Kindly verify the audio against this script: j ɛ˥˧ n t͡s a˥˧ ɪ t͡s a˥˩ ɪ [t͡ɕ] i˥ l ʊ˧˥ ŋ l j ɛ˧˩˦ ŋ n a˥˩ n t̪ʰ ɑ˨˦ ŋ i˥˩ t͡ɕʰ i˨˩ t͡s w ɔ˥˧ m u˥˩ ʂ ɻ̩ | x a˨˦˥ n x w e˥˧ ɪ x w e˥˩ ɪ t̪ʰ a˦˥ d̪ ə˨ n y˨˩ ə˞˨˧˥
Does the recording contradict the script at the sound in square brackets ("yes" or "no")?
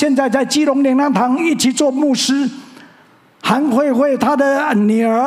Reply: no